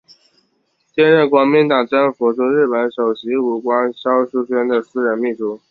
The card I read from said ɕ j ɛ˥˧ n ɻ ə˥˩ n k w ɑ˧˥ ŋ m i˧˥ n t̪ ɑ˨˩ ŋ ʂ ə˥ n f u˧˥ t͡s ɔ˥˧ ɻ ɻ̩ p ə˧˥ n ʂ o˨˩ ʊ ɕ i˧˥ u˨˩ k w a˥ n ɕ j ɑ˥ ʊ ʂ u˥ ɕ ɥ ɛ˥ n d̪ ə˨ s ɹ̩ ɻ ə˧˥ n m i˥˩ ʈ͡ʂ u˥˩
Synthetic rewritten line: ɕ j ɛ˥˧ n ɻ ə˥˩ n k w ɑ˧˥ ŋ m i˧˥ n t̪ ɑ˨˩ ŋ ʈ͡ʂ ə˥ n f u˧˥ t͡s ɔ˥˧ ɻ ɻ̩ p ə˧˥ n ʂ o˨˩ ʊ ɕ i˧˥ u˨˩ k w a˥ n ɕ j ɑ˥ ʊ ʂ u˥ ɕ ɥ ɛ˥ n d̪ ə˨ s ɹ̩ ɻ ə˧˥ n m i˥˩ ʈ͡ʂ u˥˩